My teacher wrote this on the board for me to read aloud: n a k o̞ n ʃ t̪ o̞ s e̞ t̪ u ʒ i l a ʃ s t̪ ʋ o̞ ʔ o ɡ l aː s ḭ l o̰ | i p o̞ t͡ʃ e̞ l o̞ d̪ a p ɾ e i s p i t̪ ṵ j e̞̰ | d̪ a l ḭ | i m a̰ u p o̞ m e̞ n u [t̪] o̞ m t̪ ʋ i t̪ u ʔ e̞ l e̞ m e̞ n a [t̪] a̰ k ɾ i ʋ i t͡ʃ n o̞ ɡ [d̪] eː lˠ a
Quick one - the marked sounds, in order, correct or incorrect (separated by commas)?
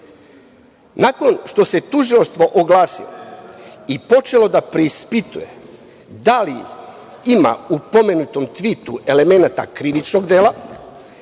correct, correct, correct